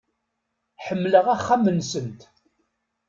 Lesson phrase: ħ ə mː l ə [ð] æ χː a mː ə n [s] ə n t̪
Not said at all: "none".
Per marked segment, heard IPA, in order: ʁ, s

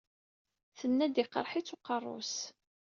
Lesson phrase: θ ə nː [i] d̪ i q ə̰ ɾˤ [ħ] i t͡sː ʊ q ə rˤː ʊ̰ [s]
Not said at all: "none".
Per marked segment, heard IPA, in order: æ, ħ, s

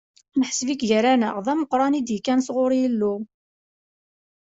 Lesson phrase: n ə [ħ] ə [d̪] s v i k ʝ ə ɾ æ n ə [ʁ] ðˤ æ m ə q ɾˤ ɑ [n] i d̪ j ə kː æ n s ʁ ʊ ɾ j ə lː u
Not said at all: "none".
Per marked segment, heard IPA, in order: ħ, none, ʁ, n

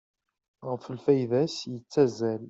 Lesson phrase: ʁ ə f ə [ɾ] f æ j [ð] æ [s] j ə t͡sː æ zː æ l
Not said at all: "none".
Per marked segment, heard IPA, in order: l, ð, s

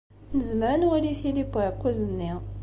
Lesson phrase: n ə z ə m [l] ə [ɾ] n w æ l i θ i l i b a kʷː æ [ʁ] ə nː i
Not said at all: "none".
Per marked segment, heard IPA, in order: ɾ, none, z

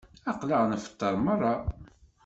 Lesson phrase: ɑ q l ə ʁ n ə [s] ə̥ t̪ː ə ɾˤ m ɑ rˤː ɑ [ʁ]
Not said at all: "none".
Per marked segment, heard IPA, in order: f, none

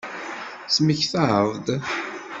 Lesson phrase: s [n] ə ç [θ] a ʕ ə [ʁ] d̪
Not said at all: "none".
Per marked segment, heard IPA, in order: m, θ, v

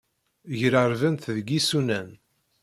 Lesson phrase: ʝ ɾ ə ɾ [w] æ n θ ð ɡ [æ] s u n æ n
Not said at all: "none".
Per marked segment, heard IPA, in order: v, i

